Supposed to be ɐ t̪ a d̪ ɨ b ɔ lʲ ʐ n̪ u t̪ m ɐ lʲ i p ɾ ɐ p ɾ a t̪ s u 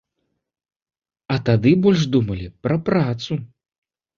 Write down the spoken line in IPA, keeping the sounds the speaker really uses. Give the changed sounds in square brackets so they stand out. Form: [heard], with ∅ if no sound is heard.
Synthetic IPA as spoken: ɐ t̪ a d̪ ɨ b ɔ lʲ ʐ [d̪] u [∅] m ɐ lʲ i p ɾ ɐ p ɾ a t̪ s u